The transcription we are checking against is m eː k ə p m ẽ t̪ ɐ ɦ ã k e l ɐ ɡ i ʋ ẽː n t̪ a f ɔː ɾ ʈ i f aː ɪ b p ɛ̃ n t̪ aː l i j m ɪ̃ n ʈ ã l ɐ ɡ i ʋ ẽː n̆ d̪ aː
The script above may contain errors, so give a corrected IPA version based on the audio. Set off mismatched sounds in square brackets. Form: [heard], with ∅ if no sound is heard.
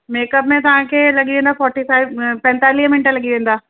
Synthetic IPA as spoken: m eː k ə p m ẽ t̪ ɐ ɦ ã k e l ɐ ɡ i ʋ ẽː n [d̪] a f ɔː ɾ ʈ i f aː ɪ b p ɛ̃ n t̪ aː l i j m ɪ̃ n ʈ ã l ɐ ɡ i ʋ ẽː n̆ d̪ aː